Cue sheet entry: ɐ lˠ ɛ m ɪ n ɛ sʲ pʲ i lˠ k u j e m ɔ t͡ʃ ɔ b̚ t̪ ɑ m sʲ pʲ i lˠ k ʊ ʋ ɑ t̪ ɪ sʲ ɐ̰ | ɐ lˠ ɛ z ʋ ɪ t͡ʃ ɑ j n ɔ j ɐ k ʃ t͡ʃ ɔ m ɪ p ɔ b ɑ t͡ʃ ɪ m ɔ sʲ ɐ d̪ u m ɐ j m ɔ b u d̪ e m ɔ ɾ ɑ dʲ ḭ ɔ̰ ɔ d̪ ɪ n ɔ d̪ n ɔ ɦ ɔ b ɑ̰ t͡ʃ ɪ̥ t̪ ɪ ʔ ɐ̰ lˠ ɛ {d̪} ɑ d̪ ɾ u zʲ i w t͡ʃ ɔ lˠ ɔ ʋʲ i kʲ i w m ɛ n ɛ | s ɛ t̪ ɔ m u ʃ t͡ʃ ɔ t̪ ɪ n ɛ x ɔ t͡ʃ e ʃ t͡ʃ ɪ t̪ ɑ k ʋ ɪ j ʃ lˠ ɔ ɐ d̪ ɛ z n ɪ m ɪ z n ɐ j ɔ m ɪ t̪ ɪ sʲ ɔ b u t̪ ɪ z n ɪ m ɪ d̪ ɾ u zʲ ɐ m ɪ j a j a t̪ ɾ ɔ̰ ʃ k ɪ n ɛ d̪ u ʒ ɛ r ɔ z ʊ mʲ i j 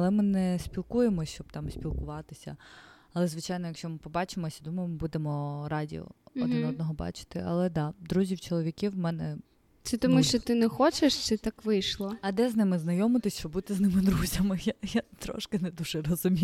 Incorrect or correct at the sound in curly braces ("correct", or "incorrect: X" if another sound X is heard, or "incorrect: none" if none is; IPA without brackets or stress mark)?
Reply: correct